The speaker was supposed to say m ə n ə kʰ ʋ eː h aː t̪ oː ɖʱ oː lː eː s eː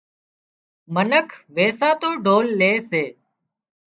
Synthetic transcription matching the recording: m ə n ə kʰ ʋ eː s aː t̪ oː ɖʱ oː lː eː s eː